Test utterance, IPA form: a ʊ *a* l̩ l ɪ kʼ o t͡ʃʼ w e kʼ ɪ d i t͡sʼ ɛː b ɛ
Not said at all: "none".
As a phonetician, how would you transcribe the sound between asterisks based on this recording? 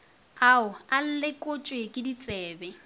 a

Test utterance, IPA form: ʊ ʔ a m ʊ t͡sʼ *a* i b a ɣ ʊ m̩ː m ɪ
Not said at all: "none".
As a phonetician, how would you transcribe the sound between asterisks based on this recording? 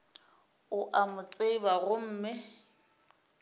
e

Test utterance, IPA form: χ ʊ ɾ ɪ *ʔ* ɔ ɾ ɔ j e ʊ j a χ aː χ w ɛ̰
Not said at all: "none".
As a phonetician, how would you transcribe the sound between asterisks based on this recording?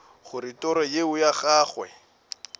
t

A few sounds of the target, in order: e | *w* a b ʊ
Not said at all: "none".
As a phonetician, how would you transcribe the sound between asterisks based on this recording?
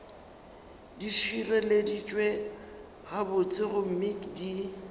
ɣ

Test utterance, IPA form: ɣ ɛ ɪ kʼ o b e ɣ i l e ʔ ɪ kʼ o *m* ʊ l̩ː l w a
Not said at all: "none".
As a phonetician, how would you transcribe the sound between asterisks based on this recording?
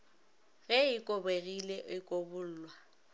b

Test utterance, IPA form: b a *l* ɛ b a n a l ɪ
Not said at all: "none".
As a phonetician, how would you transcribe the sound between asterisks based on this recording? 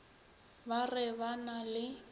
r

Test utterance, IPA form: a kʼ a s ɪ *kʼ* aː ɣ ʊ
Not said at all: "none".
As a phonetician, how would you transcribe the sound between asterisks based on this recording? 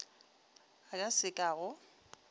kʼ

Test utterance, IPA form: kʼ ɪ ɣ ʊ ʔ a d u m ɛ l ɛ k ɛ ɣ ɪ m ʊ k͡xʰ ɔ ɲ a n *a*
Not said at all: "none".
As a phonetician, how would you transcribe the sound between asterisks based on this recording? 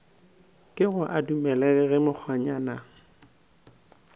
a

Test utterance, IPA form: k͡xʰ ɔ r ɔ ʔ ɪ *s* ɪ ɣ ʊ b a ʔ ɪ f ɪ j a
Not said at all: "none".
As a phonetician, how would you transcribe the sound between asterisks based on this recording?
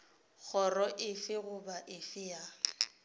f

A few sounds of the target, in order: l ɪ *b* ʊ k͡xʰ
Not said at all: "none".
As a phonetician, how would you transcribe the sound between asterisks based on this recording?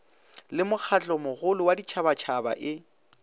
m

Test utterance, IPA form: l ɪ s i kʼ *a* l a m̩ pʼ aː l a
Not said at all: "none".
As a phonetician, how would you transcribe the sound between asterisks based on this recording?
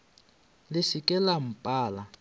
ɛ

